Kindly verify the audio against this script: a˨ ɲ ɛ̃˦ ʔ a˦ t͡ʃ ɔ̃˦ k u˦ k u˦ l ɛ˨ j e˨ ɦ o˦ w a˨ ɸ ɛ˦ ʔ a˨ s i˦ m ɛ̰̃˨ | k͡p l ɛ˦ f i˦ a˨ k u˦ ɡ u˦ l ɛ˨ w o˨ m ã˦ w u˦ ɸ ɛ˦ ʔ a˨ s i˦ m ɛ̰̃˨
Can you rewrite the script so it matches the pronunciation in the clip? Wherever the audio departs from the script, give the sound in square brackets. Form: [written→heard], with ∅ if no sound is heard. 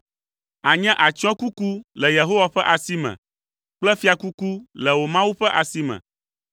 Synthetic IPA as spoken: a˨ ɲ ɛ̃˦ ʔ [a˦→a˨] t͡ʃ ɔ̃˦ k u˦ k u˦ l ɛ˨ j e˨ ɦ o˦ w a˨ ɸ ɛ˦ ʔ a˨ s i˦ m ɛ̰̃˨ | k͡p l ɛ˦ f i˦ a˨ k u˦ [ɡ→k] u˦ l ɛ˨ w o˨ m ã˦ w u˦ ɸ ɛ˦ ʔ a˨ s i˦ m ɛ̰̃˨